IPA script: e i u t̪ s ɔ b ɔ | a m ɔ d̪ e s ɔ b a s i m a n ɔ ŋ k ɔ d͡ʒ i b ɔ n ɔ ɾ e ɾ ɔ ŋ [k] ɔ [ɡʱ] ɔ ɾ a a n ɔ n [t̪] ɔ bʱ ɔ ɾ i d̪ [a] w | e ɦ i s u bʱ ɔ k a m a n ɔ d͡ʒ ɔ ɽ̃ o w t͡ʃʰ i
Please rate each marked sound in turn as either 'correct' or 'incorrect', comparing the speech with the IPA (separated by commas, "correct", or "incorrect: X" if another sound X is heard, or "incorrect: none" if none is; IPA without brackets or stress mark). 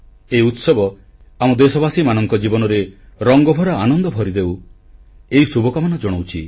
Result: incorrect: ɡ, incorrect: bʱ, incorrect: d̪, incorrect: e